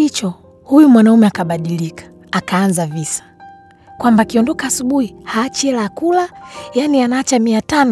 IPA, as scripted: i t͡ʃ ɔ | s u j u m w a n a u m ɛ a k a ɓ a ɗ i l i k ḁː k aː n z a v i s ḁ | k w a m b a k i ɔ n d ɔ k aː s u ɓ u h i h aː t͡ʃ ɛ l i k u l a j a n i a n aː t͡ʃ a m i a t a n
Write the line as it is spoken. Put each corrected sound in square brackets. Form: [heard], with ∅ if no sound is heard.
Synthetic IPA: i t͡ʃ ɔ | [h] u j u m w a n a u m ɛ a k a ɓ a ɗ i l i k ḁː k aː n z a v i s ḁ | k w a m b a k i ɔ n d ɔ k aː s u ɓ u h i h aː t͡ʃ ɛ l [a] k u l a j a n i a n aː t͡ʃ a m i a t a n